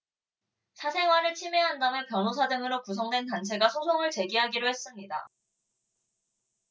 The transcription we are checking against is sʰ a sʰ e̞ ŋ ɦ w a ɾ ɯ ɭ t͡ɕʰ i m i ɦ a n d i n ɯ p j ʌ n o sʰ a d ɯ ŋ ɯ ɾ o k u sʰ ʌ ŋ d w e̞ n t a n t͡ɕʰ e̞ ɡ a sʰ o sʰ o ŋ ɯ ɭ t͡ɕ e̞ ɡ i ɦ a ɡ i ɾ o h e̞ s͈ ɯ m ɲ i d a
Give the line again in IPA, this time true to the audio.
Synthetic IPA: sʰ a sʰ e̞ ŋ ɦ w a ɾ ɯ ɭ t͡ɕʰ i m e ɦ a n d a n ɯ p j ʌ n o sʰ a d ɯ ŋ ɯ ɾ o k u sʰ ʌ ŋ d w e̞ n t a n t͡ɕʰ e̞ ɡ a sʰ o sʰ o ŋ ɯ ɭ t͡ɕ e̞ ɡ i ɦ a ɡ i ɾ o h e̞ s͈ ɯ m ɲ i d a

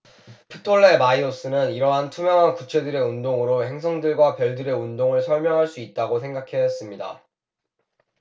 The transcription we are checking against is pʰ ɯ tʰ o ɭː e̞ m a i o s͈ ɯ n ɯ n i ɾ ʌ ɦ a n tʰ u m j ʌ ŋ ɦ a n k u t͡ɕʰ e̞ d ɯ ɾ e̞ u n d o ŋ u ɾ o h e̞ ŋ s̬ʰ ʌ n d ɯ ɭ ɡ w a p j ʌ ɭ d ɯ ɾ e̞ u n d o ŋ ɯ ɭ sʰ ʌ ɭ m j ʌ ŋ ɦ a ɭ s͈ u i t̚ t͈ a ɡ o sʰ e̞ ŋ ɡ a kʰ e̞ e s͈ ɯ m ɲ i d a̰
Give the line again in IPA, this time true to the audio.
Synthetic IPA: pʰ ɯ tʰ o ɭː e̞ m a i o s͈ ɯ n ɯ n i ɾ ʌ ɦ a n tʰ u m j ʌ ŋ ɦ a n k u t͡ɕʰ e̞ d ɯ ɾ e̞ u n d o ŋ ɯ ɾ o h e̞ ŋ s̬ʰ ʌ ŋ d ɯ ɭ ɡ w a p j ʌ ɭ d ɯ ɾ e̞ u n d o ŋ ɯ ɭ sʰ ʌ ɭ m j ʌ ŋ ɦ a ɭ s͈ u i t̚ t͈ a ɡ o sʰ e̞ ŋ ɡ a kʰ e̞ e s͈ ɯ m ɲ i d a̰

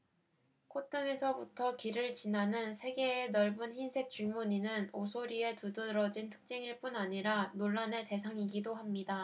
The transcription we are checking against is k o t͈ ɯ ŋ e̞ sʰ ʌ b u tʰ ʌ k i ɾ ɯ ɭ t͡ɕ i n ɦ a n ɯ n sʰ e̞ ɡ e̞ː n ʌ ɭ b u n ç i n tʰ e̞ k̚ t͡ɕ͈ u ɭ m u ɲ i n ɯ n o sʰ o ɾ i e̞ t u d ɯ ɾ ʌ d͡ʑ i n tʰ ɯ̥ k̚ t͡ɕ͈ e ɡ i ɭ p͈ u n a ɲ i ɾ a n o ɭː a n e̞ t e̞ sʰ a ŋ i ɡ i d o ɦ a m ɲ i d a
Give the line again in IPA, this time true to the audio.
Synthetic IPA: kʰ o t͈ ɯ ŋ e̞ sʰ ʌ b u tʰ ʌ k i ɾ ɯ ɭ t͡ɕ i n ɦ a n ɯ n sʰ e̞ ɡ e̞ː n ʌ ɭ b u n ç i n sʰ e̞ k̚ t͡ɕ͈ u ɭ m u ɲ i n ɯ n o sʰ o ɾ i e̞ t u d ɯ ɾ ʌ d͡ʑ i n tʰ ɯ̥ k̚ t͡ɕ͈ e ŋ i ɭ p͈ u n a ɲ i ɾ a n o ɭː a n e̞ t e̞ sʰ a ŋ i ɡ i d o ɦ a m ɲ i d a

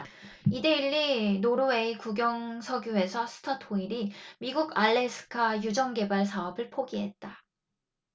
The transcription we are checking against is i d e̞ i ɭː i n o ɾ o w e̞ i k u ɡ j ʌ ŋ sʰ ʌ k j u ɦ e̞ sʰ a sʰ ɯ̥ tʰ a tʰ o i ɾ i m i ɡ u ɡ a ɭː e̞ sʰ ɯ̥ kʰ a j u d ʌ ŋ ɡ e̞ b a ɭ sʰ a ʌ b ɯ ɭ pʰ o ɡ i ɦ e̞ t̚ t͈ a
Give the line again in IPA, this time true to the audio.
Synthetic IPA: i d e̞ i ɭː i n o ɾ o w e̞ i k u ɡ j ʌ ŋ sʰ ʌ ɡ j u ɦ e̞ sʰ ʌ sʰ ɯ̥ tʰ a tʰ o i ɾ i m i ɡ u ɡ a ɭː e̞ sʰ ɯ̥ kʰ a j u d͡ʑ ʌ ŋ ɡ e̞ b a ɭ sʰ a ʌ b ɯ ɭ pʰ o ɡ i ɦ e̞ t̚ t͈ a

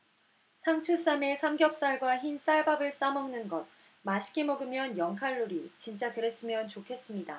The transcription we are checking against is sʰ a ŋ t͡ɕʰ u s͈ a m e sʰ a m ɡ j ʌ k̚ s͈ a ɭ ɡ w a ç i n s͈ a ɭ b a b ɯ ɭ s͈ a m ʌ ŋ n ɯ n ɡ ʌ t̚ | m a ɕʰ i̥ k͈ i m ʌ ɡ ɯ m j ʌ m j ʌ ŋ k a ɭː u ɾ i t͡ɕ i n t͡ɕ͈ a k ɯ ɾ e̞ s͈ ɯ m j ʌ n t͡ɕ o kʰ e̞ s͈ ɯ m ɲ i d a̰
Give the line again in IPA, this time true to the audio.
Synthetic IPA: sʰ a ŋ t͡ɕʰ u s͈ a m e sʰ a m ɡ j ʌ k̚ s͈ a ɭ ɡ w a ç i n s͈ a ɭ b a b ɯ ɭ s͈ a m ʌ ŋ n ɯ n ɡ ʌ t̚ | m a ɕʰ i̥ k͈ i m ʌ ɡ ɯ m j ʌ n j ʌ ŋ kʰ a ɭː u ɾ i t͡ɕ i n t͡ɕ͈ a k ɯ ɾ e̞ s͈ ɯ m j ʌ n t͡ɕ o kʰ e̞ s͈ ɯ m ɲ i d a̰

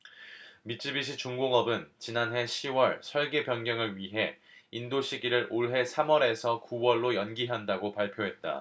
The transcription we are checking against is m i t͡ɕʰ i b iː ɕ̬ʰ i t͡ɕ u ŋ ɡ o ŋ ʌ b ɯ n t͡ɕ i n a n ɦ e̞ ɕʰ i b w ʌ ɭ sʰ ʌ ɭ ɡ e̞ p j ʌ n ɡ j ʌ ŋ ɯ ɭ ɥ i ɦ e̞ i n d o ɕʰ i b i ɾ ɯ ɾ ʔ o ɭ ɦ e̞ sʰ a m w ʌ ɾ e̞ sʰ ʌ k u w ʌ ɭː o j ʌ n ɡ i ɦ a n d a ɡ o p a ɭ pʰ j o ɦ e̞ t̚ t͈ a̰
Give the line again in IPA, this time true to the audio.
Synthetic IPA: m i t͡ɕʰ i b i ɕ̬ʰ i t͡ɕ u ŋ ɡ o ŋ ʌ b ɯ n t͡ɕ i n a n ɦ e̞ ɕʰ i w ʌ ɭ sʰ ʌ ɭ ɡ e̞ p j ʌ n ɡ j ʌ ŋ ɯ ɭ ɥ i ɦ e̞ i n d o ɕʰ i ɡ i ɾ ɯ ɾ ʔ o ɭ ɦ e̞ sʰ a m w ʌ ɾ e̞ sʰ ʌ k u w ʌ ɭː o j ʌ n ɡ i ɦ a n d a ɡ o p a ɭ pʰ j o ɦ e̞ t̚ t͈ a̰

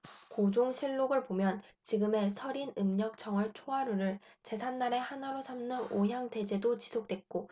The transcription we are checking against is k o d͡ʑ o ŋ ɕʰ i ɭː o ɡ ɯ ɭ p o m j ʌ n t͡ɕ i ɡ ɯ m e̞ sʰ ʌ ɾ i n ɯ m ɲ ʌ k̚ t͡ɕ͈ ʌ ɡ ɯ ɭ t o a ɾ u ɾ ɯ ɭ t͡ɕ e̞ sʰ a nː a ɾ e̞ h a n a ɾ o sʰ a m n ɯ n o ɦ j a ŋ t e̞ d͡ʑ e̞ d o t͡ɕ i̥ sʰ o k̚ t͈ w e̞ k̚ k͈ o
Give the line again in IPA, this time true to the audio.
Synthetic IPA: k o d͡ʑ o ŋ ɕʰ i ɭː o ɡ ɯ ɭ p o m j ʌ n t͡ɕ i ɡ ɯ m e̞ sʰ ʌ ɾ i n ɯ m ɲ ʌ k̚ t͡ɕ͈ ʌ ŋ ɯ ɭ t͡ɕʰ o a ɾ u ɾ ɯ ɭ t͡ɕ e̞ sʰ a nː a ɾ e̞ h a n a ɾ o sʰ a m n ɯ n o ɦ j a ŋ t e̞ d͡ʑ e̞ d o t͡ɕ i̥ sʰ o k̚ t͈ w e̞ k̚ k͈ o

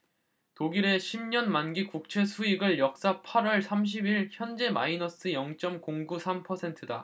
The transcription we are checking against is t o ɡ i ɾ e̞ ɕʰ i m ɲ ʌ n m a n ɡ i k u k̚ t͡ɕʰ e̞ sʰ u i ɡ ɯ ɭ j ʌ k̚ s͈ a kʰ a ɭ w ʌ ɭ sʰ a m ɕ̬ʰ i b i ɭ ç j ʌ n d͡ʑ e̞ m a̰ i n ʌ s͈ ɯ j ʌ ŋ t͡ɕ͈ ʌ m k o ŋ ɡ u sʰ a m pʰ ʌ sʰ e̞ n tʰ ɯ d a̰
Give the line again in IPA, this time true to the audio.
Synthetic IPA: t o ɡ i ɾ e̞ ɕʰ i m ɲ ʌ n m a n ɡ i k u k̚ t͡ɕʰ e̞ sʰ u i ɡ ɯ ɭ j ʌ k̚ s͈ a pʰ a ɾ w ʌ ɭ sʰ a m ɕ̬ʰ i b i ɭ ç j ʌ n d͡ʑ e̞ m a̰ i n ʌ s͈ ɯ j ʌ ŋ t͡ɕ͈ ʌ m k o ŋ ɡ u sʰ a m pʰ ʌ sʰ e̞ n tʰ ɯ d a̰

